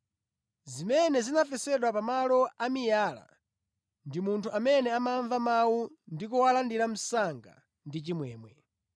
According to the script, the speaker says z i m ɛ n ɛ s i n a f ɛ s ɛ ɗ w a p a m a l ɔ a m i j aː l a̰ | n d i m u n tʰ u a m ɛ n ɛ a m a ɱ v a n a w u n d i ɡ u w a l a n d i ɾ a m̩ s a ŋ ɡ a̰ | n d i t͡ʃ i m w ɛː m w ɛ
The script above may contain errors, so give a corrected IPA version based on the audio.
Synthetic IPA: z i m ɛ n ɛ z i n a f ɛ s ɛ ɗ w a p a m a l ɔ a m i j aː l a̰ | n d i m u n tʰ u a m ɛ n ɛ a m a ɱ v a m a w u n d i k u w a l a n d i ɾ a m̩ s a ŋ ɡ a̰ | n d i t͡ʃ i m w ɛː m w ɛ